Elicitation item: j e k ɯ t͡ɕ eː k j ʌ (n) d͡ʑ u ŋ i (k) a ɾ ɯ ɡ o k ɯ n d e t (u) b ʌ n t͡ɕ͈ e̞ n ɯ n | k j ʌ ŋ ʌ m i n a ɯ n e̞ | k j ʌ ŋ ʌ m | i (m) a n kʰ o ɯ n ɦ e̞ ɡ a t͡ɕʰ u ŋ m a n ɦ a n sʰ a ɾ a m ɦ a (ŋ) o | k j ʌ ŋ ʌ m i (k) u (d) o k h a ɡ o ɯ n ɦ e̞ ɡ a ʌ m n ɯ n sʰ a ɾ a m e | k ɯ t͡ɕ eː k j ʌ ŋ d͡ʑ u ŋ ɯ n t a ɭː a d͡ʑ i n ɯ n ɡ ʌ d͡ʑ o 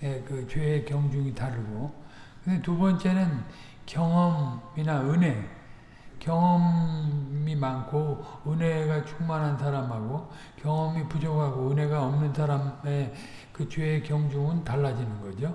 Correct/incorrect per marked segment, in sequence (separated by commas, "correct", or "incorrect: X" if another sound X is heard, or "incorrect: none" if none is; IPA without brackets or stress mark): incorrect: ŋ, incorrect: t, correct, correct, incorrect: ɡ, incorrect: p, incorrect: d͡ʑ